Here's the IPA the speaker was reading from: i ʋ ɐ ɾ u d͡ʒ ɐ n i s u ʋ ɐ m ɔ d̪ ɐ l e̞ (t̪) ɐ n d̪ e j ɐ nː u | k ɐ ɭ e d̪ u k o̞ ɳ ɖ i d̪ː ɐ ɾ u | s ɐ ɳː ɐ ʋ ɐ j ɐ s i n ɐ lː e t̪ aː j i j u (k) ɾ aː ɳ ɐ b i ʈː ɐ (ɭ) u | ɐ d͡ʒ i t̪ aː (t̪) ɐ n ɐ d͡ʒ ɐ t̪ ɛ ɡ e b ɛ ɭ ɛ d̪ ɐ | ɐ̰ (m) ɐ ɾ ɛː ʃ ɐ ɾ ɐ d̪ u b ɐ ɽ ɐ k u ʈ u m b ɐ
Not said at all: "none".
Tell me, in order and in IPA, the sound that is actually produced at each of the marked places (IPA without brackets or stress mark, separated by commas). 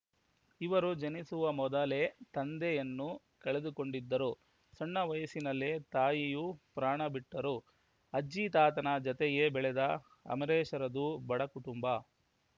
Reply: t̪, p, ɾ, t̪, m